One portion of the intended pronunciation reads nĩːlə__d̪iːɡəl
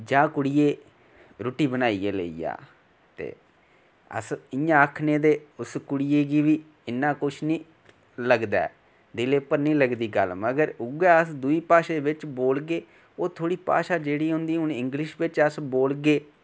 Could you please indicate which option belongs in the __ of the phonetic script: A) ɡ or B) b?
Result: A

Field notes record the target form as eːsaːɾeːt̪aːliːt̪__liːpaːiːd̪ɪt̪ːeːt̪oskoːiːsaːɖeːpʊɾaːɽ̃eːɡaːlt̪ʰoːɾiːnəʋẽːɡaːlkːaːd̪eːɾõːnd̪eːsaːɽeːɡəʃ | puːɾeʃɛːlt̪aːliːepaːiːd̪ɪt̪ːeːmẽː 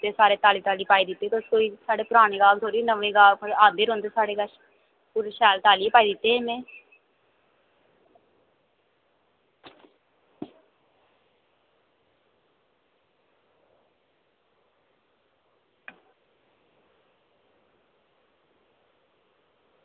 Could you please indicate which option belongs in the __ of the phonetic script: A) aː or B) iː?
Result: A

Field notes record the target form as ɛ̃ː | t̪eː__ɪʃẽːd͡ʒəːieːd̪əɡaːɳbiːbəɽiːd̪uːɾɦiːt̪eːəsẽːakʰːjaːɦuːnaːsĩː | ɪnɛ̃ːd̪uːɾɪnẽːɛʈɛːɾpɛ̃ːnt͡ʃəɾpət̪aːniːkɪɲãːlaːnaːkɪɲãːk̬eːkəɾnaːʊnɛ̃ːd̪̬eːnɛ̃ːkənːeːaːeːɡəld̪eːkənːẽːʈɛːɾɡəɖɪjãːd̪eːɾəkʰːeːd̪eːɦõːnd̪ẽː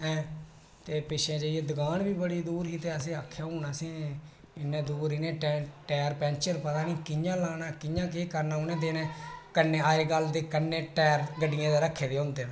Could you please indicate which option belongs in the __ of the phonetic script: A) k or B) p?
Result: B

